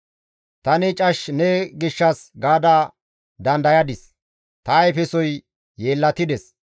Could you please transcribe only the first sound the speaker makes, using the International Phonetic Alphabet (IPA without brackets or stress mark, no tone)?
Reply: t̪